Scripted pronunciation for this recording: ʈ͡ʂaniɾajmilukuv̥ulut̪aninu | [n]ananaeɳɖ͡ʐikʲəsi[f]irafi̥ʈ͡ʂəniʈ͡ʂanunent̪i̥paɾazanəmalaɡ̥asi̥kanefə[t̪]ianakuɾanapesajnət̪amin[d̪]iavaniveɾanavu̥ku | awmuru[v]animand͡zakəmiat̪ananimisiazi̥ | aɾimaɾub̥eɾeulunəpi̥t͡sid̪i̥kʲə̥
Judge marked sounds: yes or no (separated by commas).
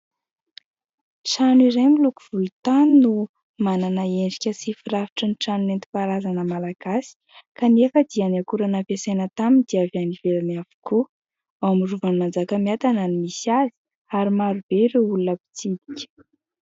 no, yes, no, yes, yes